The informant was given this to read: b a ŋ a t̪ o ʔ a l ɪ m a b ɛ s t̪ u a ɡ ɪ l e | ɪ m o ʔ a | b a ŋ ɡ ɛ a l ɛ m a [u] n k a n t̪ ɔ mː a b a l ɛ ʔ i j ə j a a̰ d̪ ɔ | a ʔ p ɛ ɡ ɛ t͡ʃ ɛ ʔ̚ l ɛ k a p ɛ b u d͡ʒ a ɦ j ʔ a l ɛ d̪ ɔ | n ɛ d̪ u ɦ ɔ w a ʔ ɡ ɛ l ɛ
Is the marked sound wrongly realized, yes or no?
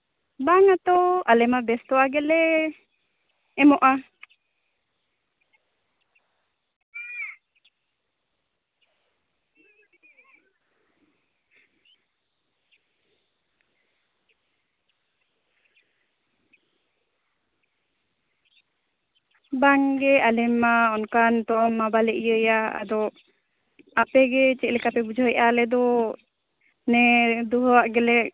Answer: yes